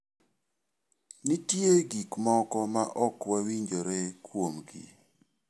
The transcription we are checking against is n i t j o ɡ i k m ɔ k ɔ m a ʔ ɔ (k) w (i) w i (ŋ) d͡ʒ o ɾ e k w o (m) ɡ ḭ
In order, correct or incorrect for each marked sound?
correct, incorrect: a, incorrect: ɲ, correct

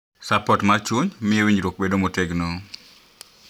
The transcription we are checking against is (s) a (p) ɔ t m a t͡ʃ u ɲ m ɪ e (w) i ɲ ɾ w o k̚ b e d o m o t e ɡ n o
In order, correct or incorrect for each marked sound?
correct, correct, correct

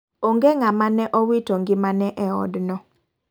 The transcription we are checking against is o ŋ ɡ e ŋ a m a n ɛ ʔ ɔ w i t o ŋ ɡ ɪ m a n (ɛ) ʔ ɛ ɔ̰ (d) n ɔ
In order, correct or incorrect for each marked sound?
correct, correct

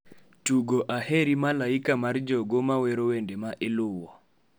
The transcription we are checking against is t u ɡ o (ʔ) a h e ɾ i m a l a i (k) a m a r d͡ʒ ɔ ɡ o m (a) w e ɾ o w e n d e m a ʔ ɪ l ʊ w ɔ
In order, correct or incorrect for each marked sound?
correct, correct, correct

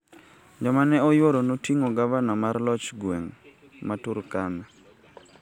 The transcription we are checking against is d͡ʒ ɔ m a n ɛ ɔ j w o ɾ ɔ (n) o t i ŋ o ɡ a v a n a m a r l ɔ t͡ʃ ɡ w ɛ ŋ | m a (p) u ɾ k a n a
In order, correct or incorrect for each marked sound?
correct, incorrect: t

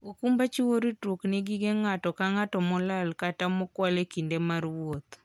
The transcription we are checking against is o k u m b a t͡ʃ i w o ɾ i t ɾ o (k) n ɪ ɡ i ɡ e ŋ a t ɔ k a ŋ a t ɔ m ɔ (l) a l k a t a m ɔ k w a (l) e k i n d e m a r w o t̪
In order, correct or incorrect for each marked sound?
correct, correct, correct

